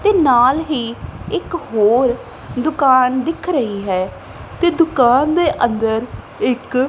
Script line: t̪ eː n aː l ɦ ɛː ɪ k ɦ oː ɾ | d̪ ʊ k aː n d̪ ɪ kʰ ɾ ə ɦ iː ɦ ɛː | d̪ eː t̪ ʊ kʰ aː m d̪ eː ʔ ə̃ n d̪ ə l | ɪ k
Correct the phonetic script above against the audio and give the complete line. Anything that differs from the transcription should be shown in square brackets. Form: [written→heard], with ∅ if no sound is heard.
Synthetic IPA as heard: t̪ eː n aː l ɦ [ɛː→iː] ɪ k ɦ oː ɾ | d̪ ʊ k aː n d̪ ɪ kʰ ɾ ə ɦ iː ɦ ɛː | [d̪→t̪] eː [t̪→d̪] ʊ [kʰ→k] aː [m→n] d̪ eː ʔ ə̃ n d̪ ə [l→ɾ] | ɪ k